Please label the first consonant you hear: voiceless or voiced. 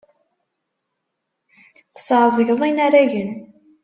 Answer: voiceless